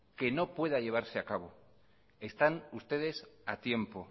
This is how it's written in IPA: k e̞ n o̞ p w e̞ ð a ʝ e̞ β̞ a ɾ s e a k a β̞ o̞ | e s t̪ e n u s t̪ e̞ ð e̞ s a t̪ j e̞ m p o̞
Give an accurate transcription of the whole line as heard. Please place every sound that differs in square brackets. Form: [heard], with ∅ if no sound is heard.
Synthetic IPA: k e̞ n o̞ p w e̞ ð a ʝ e̞ β̞ a ɾ s e a k a β̞ o̞ | e s t̪ [a] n u s t̪ e̞ ð e̞ s a t̪ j e̞ m p o̞